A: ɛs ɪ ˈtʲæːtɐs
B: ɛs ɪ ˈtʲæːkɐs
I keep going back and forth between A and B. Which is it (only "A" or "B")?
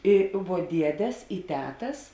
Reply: A